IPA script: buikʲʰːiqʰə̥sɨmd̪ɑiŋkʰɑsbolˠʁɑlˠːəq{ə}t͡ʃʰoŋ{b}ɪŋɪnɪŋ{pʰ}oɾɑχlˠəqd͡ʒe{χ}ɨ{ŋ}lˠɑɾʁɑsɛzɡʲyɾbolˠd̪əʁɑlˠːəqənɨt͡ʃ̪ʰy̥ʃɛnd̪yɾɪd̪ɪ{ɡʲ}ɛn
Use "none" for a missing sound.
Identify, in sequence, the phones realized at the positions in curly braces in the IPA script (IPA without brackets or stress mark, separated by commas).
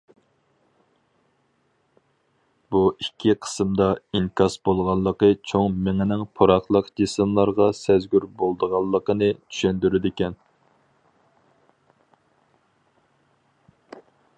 ə, m, pʰ, s, m, kʲ